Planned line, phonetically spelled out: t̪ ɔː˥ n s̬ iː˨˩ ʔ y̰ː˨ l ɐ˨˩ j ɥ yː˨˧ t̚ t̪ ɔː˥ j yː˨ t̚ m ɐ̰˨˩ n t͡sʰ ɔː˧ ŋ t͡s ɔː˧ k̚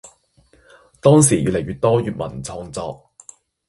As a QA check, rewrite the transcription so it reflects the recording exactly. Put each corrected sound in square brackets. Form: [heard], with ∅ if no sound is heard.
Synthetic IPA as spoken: t̪ ɔː˥ [ŋ] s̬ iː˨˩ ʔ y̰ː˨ l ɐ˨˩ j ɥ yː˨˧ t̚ t̪ ɔː˥ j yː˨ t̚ m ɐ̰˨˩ n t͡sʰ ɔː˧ ŋ t͡s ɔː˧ k̚